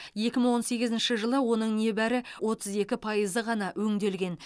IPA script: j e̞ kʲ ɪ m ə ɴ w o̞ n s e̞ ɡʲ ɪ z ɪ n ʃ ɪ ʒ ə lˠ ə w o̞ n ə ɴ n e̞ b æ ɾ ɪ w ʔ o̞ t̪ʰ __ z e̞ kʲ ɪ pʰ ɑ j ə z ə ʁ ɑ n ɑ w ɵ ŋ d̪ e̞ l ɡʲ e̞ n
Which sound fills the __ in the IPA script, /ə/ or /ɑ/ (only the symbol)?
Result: ə